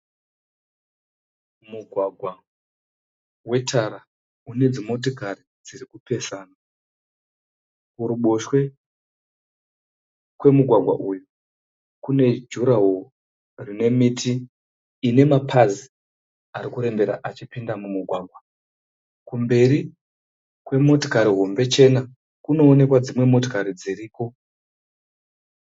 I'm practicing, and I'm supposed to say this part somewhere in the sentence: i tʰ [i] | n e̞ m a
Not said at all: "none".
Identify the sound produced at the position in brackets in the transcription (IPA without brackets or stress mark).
iː